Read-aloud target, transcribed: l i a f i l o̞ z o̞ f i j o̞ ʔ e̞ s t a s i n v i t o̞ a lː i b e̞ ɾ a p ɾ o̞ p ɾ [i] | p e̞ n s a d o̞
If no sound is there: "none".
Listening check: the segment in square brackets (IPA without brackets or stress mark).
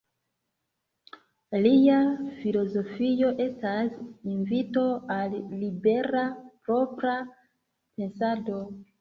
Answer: a